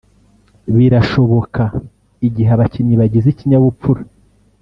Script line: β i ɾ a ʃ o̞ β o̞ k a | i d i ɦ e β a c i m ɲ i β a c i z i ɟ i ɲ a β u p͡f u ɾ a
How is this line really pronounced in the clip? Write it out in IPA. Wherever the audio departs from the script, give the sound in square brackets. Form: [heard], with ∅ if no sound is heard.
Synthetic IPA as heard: β i ɾ a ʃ o̞ β o̞ k a | i [ɟ] i ɦ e β a c i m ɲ i β a [ɟ] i z i [c] i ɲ a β u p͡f u ɾ a